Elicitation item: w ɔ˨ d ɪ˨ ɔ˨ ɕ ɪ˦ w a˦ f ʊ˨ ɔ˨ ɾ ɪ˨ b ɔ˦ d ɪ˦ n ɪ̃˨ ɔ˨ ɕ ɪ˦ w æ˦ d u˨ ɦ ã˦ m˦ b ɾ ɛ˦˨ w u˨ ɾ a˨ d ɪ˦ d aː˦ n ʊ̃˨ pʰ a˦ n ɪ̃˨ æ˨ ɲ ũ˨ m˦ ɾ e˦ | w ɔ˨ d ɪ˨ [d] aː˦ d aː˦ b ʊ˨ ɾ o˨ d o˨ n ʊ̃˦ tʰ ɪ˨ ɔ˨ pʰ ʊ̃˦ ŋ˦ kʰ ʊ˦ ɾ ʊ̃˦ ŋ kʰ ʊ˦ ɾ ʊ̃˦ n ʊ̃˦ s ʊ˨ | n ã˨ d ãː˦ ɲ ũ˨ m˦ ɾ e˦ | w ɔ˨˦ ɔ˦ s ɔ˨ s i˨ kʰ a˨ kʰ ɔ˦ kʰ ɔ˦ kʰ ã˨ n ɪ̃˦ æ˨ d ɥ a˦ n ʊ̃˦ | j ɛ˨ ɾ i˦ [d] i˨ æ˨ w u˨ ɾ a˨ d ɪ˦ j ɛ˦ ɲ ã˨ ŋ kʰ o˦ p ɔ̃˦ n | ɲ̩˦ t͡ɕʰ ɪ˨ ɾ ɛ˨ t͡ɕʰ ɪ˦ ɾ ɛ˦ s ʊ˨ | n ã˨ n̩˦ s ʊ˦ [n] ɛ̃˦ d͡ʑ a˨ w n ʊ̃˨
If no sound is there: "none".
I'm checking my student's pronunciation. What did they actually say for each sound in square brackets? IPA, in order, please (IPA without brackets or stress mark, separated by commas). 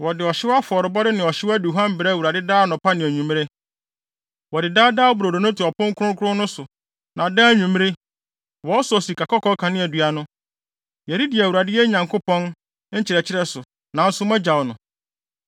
d, d, m